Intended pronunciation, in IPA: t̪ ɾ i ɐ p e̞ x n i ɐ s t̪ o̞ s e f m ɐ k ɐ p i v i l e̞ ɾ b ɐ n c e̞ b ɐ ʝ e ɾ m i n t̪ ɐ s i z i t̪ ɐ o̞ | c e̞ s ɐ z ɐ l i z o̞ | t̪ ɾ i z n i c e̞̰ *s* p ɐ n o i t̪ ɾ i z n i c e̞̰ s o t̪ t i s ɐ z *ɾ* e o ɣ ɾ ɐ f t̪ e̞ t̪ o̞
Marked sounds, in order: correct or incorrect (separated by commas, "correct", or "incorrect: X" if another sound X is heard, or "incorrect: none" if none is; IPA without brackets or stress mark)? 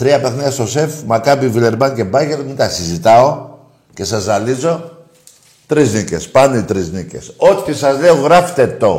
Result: correct, incorrect: l